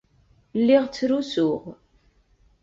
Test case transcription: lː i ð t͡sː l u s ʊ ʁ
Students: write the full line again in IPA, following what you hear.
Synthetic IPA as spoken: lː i ʁ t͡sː ɾ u s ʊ ʁ